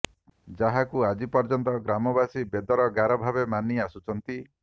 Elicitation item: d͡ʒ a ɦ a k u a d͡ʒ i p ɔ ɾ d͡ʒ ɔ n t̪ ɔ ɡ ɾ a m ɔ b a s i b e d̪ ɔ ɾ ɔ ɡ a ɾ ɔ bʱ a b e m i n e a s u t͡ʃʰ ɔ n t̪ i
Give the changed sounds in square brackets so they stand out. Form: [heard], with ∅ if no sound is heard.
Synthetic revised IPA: d͡ʒ a ɦ a k u a d͡ʒ i p ɔ ɾ d͡ʒ ɔ n t̪ ɔ ɡ ɾ a m ɔ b a s i b e d̪ ɔ ɾ ɔ ɡ a ɾ ɔ bʱ a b e m [a] n [i] a s u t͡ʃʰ ɔ n t̪ i